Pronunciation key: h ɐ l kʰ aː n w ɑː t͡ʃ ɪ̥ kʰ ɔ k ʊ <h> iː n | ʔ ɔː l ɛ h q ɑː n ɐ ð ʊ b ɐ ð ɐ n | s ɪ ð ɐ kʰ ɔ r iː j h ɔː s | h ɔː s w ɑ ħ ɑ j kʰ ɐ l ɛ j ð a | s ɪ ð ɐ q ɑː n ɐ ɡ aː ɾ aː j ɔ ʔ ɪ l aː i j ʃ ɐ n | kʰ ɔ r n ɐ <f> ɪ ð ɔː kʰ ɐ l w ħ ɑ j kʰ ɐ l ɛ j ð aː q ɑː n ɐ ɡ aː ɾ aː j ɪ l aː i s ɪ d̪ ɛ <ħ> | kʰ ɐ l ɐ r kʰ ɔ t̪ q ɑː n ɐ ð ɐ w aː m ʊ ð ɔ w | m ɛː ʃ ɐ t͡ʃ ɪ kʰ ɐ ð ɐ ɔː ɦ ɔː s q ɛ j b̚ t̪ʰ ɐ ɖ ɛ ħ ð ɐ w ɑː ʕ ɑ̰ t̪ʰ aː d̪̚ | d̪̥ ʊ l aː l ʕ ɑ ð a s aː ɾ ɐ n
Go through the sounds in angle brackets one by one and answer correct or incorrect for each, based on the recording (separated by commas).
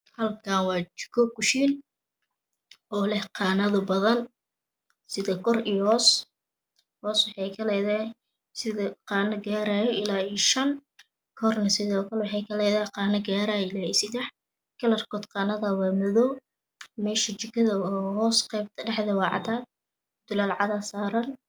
incorrect, incorrect, correct